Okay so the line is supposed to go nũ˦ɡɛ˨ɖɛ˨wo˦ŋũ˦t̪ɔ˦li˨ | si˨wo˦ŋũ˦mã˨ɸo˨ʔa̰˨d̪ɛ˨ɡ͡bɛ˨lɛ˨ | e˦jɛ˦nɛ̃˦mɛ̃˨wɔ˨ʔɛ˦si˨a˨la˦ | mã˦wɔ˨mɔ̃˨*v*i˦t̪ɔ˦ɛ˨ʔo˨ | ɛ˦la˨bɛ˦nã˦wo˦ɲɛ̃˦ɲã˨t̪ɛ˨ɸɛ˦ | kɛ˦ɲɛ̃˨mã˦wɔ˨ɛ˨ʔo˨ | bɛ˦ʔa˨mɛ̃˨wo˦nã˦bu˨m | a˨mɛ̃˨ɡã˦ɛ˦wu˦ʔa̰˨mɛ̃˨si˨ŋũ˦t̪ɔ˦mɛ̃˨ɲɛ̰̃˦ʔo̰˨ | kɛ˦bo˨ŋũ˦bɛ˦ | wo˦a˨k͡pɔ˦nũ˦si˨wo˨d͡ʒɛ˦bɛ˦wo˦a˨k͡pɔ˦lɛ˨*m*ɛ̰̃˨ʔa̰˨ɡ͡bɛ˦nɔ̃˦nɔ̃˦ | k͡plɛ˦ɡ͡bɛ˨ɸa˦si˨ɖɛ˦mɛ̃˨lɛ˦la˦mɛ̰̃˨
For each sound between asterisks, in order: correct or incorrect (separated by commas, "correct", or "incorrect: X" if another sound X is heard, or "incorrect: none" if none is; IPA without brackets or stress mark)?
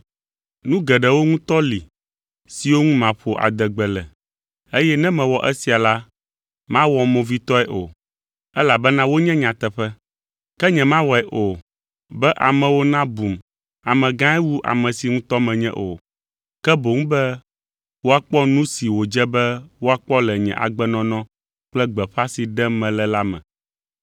correct, incorrect: ɲ